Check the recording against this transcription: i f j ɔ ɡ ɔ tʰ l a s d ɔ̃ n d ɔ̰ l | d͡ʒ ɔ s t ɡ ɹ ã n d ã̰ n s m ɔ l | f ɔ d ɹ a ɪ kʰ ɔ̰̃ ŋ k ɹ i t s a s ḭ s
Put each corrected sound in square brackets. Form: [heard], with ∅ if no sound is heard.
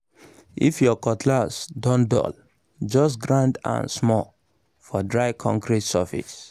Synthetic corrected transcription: i f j ɔ [k] ɔ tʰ l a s d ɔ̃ n d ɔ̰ l | d͡ʒ ɔ s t ɡ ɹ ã n d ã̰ n s m ɔ l | f ɔ d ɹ a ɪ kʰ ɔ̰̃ ŋ k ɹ i t s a [f] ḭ s